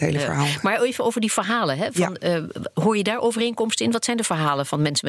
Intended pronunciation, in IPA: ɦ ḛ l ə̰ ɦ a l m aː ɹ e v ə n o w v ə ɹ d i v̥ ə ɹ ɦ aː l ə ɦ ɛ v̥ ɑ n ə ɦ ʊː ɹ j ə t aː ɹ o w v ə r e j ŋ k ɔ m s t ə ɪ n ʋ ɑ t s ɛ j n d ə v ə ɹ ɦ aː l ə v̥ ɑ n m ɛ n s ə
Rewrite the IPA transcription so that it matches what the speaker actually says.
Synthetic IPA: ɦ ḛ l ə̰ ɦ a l m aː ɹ e v ə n o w v ə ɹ d i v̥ ə ɹ ɦ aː l ə ɦ ɛ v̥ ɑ n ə ɦ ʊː ɹ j ə d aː ɹ o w v ə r e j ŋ k ɔ m s t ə ɪ n ʋ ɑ t s ɛ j n d ə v ə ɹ ɦ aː l ə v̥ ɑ n m ɛ n s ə